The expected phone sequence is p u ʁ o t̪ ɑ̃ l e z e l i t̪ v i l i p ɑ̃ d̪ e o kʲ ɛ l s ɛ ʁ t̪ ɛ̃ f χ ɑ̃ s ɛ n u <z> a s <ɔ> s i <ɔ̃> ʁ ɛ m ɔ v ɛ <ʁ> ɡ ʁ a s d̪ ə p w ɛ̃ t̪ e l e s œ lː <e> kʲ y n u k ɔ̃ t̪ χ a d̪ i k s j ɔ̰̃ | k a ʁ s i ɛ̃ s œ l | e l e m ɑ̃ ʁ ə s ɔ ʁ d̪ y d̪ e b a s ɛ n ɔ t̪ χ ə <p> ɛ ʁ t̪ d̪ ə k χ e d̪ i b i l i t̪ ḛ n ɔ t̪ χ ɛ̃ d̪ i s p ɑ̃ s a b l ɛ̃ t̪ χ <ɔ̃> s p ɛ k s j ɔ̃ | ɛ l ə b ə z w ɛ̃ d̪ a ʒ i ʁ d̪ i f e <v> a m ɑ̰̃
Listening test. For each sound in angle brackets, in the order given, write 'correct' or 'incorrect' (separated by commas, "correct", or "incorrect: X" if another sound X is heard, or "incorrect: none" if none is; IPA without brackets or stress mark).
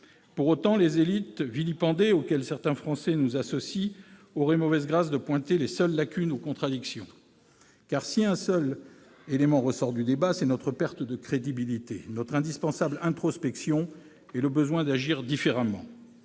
correct, correct, incorrect: ɔ, incorrect: z, incorrect: a, correct, incorrect: ɔ, incorrect: ʁ